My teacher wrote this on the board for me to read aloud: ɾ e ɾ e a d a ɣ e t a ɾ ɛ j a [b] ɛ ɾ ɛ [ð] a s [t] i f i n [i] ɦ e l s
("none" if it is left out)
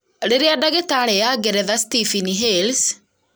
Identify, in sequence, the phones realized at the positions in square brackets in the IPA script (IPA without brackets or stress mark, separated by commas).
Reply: ɡ, ð, t, i